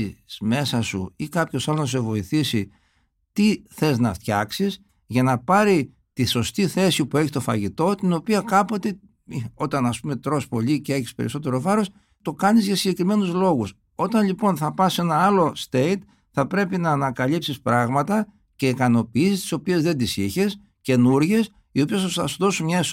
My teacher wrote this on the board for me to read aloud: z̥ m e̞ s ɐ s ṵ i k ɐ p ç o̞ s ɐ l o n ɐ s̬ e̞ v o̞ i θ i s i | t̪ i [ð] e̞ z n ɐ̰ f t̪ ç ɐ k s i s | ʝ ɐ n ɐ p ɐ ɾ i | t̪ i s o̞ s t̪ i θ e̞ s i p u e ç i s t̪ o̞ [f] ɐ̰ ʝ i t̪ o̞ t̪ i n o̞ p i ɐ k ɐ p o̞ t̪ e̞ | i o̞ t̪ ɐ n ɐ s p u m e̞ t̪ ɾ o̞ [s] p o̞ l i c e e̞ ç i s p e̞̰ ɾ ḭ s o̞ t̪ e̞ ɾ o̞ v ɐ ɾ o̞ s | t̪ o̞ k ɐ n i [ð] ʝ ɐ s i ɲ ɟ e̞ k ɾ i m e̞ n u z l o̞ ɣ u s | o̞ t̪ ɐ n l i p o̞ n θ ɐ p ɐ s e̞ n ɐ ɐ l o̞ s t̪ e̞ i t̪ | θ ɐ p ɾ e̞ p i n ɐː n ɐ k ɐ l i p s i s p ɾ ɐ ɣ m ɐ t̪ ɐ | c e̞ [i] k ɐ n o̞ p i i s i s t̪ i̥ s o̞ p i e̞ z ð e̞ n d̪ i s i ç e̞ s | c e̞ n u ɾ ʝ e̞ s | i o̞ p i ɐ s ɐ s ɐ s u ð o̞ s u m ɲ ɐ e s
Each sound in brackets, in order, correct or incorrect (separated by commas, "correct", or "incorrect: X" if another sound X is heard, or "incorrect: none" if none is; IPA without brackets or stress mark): incorrect: θ, correct, correct, incorrect: z, correct